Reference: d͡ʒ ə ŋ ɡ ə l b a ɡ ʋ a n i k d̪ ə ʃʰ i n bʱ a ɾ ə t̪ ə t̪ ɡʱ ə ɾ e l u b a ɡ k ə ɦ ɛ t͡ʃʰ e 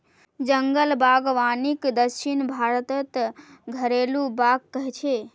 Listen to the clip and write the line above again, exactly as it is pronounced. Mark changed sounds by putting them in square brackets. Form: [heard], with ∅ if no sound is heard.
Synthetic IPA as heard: d͡ʒ ə ŋ ɡ ə l b a ɡ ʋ a n i k d̪ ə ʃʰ i n bʱ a ɾ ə t̪ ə t̪ ɡʱ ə ɾ e l u b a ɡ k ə ɦ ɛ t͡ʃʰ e